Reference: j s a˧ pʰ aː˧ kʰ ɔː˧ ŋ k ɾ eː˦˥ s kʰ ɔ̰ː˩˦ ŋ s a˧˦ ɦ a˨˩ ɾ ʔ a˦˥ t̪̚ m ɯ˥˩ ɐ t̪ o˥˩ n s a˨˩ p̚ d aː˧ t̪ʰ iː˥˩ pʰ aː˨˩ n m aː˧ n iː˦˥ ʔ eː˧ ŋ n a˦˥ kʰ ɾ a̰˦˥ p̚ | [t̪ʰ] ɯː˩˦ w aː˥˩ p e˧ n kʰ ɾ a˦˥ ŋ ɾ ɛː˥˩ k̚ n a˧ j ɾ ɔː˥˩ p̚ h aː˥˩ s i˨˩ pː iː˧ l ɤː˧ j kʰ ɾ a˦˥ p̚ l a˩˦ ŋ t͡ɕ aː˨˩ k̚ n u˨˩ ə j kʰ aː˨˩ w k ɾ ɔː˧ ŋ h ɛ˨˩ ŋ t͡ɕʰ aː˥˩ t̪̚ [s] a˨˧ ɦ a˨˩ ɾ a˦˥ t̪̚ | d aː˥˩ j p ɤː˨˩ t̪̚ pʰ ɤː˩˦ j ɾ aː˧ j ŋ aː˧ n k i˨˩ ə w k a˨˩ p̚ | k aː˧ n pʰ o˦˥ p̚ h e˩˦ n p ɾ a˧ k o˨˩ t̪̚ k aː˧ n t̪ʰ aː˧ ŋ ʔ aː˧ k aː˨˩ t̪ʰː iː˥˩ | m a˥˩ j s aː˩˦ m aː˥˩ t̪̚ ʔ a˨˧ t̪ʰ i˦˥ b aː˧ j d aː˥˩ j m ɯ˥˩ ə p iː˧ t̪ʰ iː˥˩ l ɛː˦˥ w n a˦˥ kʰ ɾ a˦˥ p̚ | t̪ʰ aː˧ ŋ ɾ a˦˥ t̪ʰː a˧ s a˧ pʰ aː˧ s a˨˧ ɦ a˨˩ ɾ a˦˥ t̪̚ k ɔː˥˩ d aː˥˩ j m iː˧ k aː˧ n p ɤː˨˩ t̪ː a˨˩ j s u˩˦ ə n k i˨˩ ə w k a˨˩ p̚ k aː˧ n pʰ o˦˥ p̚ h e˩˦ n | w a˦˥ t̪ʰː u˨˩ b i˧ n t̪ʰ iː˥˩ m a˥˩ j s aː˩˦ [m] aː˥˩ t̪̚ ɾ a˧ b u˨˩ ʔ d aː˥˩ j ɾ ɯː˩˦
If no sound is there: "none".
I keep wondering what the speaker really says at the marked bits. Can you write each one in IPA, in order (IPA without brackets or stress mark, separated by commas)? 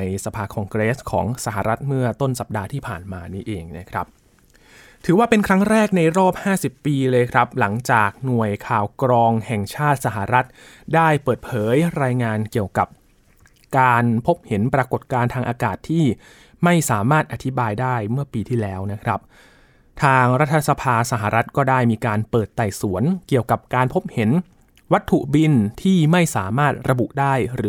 t̪ʰ, s, m